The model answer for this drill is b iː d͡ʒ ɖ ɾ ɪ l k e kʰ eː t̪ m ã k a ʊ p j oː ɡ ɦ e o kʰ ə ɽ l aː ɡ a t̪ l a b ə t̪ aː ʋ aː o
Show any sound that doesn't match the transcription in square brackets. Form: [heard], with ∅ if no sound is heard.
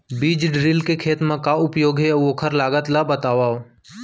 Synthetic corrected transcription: b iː d͡ʒ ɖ ɾ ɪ l k e kʰ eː t̪ m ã k a ʊ p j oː ɡ ɦ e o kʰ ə [ɾ] l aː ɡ [ə] t̪ l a b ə t̪ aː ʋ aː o